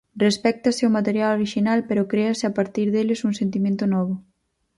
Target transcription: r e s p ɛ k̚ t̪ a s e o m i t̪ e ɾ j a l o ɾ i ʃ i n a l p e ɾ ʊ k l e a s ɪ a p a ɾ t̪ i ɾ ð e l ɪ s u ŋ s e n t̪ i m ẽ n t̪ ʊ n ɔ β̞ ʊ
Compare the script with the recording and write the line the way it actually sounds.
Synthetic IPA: r e s p ɛ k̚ t̪ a s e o m a t̪ e ɾ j a l o ɾ i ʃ i n a l p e ɾ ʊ k ɾ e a s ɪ a p a ɾ t̪ i ɾ ð e l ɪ s u ŋ s e n t̪ i m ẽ n t̪ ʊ n ɔ β̞ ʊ